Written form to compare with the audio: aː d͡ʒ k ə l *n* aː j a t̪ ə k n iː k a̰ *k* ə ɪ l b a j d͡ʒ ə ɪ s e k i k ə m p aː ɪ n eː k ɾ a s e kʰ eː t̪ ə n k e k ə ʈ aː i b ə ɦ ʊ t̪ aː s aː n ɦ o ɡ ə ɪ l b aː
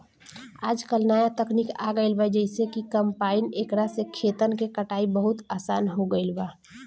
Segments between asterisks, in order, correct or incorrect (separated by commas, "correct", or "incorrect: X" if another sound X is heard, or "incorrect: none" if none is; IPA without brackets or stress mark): correct, incorrect: ɡ